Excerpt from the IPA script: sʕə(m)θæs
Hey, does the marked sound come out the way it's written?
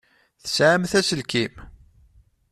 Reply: yes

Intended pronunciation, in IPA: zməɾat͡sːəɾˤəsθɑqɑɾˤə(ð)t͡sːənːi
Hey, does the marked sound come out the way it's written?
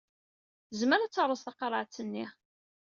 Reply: no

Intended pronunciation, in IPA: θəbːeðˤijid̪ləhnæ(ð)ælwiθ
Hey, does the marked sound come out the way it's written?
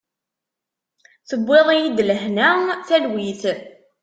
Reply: no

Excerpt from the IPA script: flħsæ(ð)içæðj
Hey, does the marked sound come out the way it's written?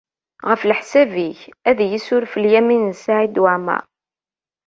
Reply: no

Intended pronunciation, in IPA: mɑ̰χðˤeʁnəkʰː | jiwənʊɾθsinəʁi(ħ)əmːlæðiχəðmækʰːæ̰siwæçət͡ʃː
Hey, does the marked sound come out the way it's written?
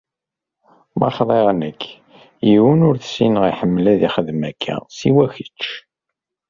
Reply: yes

